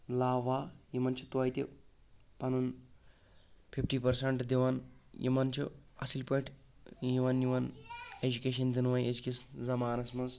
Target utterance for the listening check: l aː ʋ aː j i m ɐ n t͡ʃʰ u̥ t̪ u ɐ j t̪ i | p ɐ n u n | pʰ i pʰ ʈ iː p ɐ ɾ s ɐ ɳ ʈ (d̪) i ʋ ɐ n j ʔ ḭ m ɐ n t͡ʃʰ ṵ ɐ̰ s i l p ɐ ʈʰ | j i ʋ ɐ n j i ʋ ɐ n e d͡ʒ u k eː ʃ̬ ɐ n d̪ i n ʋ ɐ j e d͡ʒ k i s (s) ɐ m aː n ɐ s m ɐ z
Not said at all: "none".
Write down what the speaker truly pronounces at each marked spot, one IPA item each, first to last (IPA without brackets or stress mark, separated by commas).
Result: d̪, z